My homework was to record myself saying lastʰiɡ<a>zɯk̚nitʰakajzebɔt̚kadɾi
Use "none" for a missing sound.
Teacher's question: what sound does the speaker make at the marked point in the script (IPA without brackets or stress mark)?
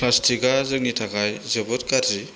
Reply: a